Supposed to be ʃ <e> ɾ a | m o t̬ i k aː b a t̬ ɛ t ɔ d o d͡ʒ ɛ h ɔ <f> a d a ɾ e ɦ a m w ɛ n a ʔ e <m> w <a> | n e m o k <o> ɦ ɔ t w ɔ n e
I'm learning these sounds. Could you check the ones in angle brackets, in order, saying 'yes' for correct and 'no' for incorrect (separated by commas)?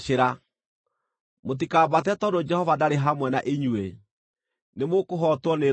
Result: yes, no, no, no, yes